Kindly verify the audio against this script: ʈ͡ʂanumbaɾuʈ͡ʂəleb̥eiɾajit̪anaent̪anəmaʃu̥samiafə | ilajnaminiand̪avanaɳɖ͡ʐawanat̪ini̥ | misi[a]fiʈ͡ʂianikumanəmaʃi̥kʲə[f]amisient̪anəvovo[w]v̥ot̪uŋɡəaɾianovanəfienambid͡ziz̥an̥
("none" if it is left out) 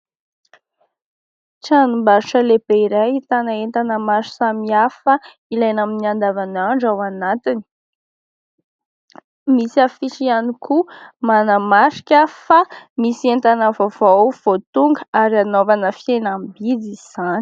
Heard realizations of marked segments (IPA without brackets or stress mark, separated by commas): a, f, w